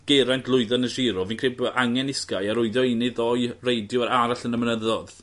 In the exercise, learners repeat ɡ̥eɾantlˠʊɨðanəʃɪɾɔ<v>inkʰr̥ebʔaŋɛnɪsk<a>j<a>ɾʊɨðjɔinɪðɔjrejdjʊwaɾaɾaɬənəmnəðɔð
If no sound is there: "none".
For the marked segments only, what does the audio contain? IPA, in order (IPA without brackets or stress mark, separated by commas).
v, a, a